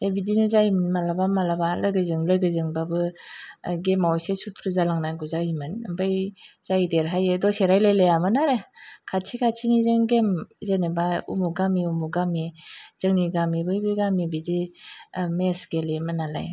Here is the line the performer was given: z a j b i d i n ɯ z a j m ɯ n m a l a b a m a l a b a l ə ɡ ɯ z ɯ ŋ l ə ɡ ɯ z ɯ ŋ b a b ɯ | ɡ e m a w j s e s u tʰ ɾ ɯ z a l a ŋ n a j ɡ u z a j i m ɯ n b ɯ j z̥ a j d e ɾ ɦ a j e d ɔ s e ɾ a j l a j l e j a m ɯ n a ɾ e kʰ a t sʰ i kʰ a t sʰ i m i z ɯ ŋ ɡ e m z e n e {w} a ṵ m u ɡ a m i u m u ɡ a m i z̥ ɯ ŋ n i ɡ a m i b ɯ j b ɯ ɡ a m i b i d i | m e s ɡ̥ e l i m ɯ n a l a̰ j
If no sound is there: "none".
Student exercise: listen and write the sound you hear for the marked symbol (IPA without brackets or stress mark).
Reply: b